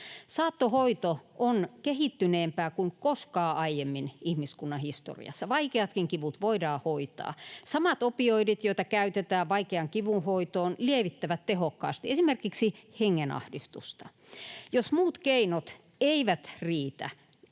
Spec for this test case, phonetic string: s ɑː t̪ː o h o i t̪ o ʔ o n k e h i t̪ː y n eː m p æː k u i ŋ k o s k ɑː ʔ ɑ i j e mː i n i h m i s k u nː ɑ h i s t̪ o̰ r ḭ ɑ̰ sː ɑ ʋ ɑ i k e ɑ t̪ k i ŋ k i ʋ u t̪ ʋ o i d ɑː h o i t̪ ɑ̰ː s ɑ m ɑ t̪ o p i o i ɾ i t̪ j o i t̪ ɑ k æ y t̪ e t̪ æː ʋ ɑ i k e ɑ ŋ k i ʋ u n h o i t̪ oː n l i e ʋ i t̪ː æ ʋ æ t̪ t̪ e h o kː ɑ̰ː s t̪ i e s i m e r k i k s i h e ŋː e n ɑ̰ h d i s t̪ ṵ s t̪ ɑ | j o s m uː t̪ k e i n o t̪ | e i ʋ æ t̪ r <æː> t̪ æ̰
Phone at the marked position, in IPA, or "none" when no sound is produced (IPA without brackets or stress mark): iː